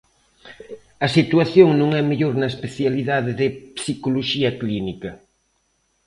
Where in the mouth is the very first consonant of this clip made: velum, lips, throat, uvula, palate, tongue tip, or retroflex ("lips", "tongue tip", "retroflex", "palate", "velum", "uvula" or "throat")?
tongue tip